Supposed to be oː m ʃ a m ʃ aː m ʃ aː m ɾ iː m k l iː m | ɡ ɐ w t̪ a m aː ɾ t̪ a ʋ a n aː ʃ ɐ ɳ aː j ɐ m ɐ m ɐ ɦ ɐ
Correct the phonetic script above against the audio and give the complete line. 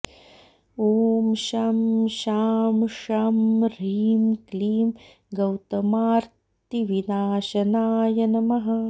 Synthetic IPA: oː m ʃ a m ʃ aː m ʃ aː m ɾ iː m k l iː m | ɡ ɐ w t̪ ɐ m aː ɾ t̪ i ʋ i n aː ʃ ɐ n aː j ɐ n ɐ m ɐ ɦ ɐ

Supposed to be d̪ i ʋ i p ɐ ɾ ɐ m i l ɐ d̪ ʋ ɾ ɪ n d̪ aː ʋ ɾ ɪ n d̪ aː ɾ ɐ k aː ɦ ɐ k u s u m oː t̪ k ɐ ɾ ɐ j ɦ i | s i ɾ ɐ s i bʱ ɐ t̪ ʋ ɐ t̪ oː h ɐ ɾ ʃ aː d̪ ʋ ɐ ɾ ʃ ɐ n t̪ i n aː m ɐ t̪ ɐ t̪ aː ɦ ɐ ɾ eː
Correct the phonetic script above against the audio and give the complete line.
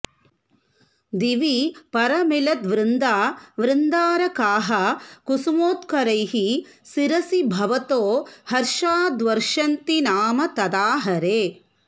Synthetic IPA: d̪ i ʋ i p ɐ ɾ ɐ m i l ɐ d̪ ʋ ɾ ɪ n d̪ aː ʋ ɾ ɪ n d̪ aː ɾ ɐ k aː ɦ ɐ k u s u m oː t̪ k ɐ ɾ ɐ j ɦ i | s i ɾ ɐ s i bʱ ɐ ʋ ɐ t̪ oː h ɐ ɾ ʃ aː d̪ ʋ ɐ ɾ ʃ ɐ n t̪ i n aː m ɐ t̪ ɐ d̪ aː ɦ ɐ ɾ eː

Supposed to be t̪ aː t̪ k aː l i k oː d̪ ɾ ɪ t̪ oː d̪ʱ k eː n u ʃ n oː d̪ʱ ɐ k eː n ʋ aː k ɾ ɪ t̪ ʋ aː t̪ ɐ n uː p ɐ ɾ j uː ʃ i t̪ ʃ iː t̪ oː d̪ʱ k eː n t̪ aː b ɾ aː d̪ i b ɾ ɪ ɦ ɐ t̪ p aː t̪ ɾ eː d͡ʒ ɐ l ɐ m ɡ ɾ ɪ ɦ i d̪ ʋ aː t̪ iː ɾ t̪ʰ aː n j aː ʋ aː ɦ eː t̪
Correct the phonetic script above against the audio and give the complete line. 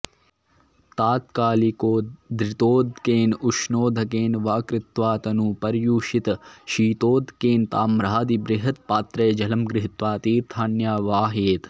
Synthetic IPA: t̪ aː t̪ k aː l i k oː d̪ ɾ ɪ t̪ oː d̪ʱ k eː n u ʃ n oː d̪ʱ ɐ k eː n ʋ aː k ɾ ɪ t̪ ʋ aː t̪ ɐ n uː p ɐ ɾ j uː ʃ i t̪ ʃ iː t̪ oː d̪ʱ k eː n t̪ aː m ɾ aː d̪ i b ɾ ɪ ɦ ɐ t̪ p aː t̪ ɾ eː d͡ʒ ɐ l ɐ m ɡ ɾ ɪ ɦ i t̪ ʋ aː t̪ iː ɾ t̪ʰ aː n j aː ʋ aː ɦ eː t̪

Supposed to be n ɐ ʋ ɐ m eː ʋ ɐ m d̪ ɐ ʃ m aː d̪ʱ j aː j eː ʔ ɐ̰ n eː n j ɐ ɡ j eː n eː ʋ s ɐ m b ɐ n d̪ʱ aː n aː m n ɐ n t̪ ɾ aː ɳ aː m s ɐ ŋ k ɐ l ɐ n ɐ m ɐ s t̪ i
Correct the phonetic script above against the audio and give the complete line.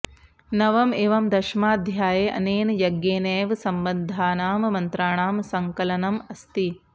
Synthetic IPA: n ɐ ʋ ɐ m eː ʋ ɐ m d̪ ɐ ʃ m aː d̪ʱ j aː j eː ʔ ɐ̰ n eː n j ɐ ɡ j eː n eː ʋ s ɐ m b ɐ n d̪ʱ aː n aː m m ɐ n t̪ ɾ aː ɳ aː m s ɐ ŋ k ɐ l ɐ n ɐ m ɐ s t̪ i

